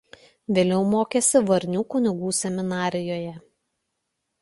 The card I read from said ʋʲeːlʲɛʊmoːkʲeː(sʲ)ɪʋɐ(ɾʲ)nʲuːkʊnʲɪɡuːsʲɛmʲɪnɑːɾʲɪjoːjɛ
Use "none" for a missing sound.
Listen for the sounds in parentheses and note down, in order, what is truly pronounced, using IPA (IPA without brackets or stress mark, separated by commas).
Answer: sʲ, ɾʲ